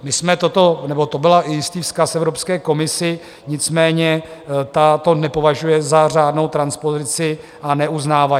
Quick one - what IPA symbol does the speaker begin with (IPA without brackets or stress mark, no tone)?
m